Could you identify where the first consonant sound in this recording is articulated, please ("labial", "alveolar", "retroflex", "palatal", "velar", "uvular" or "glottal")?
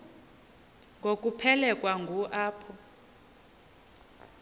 velar